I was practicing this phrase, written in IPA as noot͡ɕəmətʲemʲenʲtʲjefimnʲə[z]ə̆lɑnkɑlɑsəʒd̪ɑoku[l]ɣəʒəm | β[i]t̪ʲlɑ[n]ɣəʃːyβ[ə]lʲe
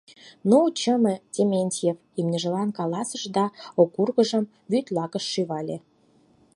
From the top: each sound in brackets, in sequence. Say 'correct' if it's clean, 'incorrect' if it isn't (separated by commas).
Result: incorrect, incorrect, incorrect, incorrect, incorrect